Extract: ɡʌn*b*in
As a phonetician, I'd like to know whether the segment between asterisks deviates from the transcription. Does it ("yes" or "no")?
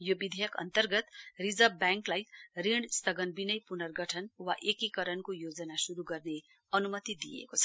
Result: no